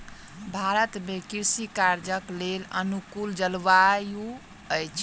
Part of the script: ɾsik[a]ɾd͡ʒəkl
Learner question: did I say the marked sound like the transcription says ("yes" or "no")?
yes